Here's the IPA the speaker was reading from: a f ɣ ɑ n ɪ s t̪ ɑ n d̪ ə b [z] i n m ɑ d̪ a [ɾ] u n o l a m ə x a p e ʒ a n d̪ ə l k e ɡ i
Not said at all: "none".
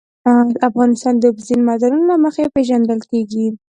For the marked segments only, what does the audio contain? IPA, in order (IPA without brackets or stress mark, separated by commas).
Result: z, ɾ